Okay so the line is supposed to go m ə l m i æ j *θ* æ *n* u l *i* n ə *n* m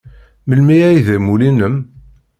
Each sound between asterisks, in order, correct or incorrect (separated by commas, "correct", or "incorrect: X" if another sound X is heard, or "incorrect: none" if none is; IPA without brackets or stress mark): incorrect: ð, incorrect: m, correct, incorrect: none